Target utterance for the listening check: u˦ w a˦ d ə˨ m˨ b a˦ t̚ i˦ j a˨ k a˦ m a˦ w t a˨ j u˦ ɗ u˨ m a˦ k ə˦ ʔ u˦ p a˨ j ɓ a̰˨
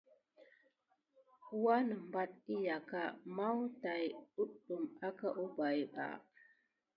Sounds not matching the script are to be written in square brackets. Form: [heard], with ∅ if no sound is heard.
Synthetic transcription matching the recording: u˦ w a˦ [n] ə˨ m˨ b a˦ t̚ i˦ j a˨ k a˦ m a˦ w t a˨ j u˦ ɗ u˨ m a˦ k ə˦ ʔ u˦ [b] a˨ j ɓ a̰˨